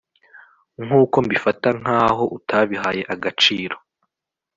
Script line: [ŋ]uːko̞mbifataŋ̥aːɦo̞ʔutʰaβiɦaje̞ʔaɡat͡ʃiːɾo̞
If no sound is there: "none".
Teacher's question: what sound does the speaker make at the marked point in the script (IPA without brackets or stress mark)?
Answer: ŋ